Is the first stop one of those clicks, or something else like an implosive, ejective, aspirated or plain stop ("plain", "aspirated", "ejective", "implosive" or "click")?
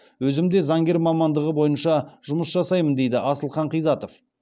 plain